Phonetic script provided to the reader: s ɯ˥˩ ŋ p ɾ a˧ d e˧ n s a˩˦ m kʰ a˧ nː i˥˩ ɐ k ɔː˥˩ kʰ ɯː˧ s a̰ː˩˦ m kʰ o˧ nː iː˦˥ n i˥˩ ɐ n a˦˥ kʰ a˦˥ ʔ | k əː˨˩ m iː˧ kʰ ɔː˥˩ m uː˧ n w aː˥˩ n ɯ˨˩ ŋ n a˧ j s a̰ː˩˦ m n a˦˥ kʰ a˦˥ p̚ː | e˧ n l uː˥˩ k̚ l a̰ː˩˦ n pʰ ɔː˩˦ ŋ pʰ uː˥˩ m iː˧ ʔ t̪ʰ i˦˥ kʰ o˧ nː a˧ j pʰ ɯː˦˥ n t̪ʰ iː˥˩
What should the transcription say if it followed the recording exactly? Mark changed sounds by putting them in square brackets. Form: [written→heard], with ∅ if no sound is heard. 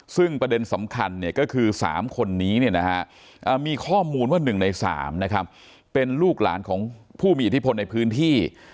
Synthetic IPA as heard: s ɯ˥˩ ŋ p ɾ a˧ d e˧ n s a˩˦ m kʰ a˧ nː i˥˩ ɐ k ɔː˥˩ kʰ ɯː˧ s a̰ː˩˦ m kʰ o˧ nː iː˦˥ n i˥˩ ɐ n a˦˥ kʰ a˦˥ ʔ | [k→ʔ] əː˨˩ m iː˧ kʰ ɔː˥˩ m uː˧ n w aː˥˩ n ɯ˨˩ ŋ n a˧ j s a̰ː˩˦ m n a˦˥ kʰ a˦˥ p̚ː | e˧ n l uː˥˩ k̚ l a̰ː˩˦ n [pʰ→kʰ] ɔː˩˦ ŋ pʰ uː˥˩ m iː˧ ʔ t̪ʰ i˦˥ [kʰ→pʰ] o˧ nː a˧ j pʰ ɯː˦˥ n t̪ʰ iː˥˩